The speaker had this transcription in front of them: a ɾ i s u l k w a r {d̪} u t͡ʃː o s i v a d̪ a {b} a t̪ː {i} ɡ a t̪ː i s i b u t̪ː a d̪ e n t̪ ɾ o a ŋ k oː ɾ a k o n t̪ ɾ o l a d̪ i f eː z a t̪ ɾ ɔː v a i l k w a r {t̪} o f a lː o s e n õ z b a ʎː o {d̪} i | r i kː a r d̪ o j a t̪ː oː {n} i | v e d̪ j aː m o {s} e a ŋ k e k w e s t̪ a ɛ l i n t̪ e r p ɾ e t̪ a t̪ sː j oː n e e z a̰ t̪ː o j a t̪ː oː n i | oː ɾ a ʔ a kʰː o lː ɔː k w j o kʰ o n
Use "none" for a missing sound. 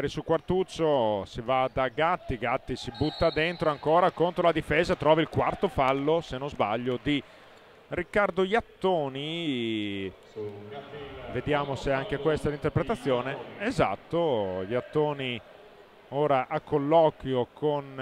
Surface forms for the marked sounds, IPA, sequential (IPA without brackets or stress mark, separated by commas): t̪, ɡ, i, t̪, d̪, n, s